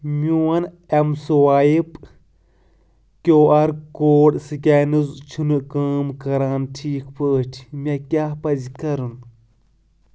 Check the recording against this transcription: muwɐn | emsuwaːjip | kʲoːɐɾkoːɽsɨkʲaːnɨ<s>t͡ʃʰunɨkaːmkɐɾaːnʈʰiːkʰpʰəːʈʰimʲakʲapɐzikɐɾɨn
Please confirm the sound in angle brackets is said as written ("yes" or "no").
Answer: no